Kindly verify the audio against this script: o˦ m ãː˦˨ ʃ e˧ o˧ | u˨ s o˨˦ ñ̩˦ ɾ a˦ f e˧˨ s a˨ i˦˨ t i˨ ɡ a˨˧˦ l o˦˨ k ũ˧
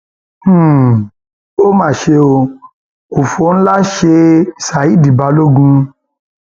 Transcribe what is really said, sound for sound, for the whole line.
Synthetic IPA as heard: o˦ m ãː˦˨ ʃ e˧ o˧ | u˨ f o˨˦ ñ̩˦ l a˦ ʃ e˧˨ s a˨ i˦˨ d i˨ b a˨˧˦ l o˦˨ ɡ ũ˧